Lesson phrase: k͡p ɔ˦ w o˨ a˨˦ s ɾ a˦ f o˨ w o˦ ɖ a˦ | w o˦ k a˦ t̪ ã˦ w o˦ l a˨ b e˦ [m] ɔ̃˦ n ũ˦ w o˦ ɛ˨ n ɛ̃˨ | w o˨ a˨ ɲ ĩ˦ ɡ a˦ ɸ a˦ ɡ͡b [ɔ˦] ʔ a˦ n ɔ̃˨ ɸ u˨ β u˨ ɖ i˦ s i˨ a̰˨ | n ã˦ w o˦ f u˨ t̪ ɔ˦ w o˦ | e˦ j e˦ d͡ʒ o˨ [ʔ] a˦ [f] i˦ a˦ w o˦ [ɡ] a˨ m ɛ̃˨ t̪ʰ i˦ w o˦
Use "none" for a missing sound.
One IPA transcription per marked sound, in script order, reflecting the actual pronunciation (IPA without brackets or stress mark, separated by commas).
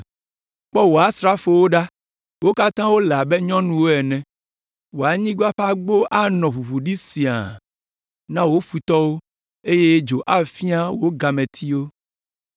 ɲ, o˦, ʔ, f, ɡ